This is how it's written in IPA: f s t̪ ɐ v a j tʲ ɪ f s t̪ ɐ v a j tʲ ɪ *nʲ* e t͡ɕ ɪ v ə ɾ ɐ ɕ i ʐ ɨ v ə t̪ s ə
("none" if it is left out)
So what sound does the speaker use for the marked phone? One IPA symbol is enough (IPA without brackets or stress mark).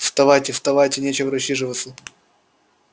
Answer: nʲ